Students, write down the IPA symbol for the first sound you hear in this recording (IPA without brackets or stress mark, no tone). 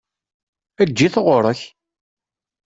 æ